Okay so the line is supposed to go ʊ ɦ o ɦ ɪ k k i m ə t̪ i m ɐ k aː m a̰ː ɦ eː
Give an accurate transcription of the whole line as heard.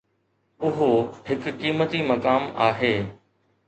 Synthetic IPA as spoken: ʊ ɦ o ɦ ɪ k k iː m ə t̪ i m ɐ k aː m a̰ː ɦ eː